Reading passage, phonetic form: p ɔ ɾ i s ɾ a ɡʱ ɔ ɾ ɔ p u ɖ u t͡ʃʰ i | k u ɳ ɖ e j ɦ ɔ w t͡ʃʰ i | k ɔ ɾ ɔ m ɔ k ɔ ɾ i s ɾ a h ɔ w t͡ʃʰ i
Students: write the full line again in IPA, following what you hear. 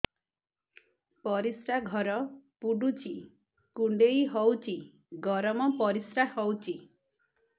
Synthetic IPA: p ɔ ɾ i s ɾ a ɡʱ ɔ ɾ ɔ p u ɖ u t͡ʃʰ i | k u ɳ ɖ e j ɦ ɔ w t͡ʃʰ i | ɡ ɔ ɾ ɔ m ɔ p ɔ ɾ i s ɾ a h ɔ w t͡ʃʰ i